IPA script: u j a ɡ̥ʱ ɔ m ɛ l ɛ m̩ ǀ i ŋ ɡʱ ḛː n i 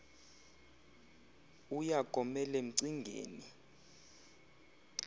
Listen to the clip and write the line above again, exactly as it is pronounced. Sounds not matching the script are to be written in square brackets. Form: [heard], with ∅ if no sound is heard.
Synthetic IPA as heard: u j a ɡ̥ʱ ɔ m ɛ l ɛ m̩ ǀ i ŋ ɡʱ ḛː n i